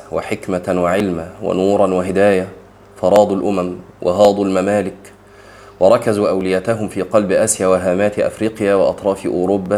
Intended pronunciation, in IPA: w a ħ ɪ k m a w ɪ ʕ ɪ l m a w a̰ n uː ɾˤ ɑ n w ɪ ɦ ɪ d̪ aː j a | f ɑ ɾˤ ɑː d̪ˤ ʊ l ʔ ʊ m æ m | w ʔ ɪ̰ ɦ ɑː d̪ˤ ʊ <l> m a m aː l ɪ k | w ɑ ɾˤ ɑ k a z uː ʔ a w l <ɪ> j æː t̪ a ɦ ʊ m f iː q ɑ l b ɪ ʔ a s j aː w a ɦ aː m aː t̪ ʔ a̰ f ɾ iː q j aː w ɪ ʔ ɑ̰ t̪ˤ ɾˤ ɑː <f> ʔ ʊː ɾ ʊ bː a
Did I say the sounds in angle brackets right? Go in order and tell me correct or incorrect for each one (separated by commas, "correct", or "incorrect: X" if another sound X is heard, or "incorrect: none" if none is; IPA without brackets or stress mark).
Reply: correct, correct, correct